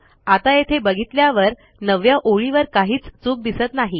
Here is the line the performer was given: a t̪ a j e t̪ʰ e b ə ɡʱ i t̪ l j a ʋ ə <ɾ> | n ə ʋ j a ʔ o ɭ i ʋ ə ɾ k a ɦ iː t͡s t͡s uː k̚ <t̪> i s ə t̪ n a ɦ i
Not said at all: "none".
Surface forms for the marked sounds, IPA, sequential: ɾ, d̪

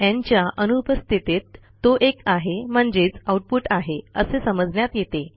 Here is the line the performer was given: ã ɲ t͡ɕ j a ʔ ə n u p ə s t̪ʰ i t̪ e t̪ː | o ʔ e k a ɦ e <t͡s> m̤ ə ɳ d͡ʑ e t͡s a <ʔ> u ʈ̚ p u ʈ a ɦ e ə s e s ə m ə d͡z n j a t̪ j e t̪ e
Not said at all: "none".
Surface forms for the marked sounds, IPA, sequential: none, none

